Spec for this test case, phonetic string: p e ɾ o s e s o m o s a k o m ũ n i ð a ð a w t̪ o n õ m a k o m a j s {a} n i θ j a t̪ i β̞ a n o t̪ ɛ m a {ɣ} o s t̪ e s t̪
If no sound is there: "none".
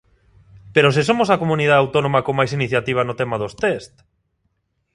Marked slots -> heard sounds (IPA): i, ð

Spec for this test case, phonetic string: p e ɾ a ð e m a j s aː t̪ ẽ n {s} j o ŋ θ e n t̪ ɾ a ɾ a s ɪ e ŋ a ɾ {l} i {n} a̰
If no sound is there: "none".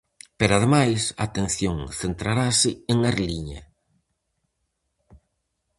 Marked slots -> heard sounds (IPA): θ, l, ɲ

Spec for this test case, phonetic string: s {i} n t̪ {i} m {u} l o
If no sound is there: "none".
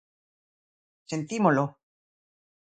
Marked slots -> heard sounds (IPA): e, i, o

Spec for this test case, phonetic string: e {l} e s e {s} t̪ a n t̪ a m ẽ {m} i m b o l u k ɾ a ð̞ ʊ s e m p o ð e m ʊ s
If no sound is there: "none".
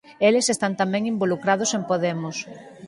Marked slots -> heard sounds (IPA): l, s, ŋ

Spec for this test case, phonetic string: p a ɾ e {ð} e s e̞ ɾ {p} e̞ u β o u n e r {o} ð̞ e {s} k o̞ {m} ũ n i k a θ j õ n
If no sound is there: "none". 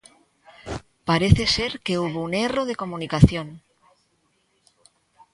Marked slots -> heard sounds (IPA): θ, k, o, none, m

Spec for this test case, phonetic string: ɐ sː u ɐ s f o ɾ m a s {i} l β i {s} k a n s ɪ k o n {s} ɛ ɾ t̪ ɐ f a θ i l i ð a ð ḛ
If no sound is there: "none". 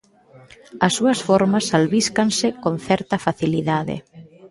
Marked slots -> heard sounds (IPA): a, s, θ

